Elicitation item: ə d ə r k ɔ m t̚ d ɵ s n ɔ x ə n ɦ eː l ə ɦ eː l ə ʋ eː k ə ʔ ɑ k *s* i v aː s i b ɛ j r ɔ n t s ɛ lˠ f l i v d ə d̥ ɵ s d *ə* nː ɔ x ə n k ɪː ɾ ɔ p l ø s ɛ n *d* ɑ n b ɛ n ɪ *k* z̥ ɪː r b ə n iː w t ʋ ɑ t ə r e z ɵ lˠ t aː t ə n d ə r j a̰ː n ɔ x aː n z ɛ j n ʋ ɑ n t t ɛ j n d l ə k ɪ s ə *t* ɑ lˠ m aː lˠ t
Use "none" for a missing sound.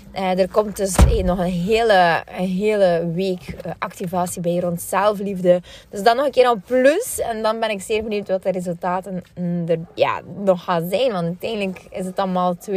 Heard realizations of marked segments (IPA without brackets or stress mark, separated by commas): t, ɑ, d, k, t